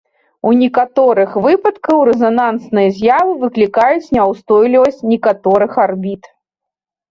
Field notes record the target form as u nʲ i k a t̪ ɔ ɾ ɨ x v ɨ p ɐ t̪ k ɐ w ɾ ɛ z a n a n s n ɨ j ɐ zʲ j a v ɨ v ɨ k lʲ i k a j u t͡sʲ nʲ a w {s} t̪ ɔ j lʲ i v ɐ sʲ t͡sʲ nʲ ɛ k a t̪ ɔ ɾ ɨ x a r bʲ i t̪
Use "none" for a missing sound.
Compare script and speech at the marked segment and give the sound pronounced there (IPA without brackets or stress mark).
s